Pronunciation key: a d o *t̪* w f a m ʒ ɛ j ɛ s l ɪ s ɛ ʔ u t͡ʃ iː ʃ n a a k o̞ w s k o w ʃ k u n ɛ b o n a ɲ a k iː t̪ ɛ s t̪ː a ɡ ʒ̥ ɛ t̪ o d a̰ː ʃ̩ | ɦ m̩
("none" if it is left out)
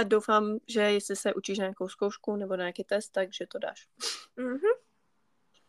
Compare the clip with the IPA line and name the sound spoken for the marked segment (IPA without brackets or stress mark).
none